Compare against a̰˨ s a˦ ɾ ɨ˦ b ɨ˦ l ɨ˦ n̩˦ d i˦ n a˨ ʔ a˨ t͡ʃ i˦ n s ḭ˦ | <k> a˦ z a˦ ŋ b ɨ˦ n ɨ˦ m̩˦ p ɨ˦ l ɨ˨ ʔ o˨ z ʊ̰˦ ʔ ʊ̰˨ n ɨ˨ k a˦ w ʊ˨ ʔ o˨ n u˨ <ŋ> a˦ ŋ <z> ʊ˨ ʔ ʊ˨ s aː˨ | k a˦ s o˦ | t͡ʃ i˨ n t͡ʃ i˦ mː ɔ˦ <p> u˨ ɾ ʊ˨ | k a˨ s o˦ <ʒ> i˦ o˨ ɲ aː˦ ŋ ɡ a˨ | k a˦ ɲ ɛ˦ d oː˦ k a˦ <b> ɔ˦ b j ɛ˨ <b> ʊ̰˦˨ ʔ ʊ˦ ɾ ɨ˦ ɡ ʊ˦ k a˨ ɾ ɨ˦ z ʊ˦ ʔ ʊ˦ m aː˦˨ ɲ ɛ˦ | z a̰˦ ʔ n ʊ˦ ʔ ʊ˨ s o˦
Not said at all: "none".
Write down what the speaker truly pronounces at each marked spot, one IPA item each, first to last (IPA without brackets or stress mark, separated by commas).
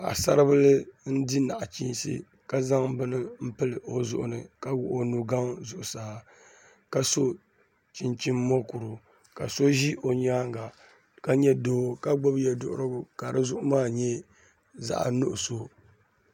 k, ɡ, z, k, ʒ, ɡ͡b, d